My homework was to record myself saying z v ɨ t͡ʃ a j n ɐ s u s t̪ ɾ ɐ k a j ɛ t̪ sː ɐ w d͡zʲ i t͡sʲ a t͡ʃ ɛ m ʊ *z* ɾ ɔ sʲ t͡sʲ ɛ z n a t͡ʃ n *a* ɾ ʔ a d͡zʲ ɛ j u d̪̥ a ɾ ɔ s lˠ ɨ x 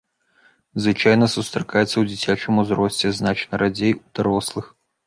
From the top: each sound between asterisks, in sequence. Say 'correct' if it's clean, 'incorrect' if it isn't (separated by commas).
correct, incorrect